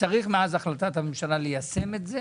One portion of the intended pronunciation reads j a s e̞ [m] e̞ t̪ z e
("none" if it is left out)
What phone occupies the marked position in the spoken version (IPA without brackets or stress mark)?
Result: m